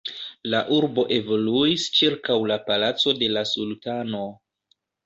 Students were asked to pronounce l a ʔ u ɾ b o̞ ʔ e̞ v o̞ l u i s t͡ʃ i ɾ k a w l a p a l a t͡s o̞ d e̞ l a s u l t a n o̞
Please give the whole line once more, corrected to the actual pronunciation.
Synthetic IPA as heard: l a ʔ u ɾ b o̞ ʔ e̞ v o̞ l u i s t͡ʃ i ɾ k a w l a p a l a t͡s o̞ d e̞ l a s u l t a n o̞